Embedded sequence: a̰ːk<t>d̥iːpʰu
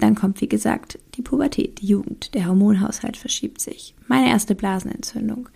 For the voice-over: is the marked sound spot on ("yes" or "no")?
yes